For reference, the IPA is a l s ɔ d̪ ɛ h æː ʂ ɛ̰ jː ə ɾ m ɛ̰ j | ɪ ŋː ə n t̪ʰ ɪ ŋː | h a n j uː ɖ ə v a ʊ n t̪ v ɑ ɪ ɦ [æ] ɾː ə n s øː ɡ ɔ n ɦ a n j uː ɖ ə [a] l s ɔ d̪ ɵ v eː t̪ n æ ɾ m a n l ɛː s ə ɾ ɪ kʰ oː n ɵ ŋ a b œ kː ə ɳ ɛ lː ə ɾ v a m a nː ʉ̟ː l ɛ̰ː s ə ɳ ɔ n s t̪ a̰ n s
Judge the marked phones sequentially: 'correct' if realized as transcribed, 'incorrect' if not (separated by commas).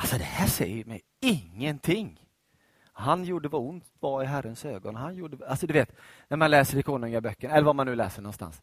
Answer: correct, correct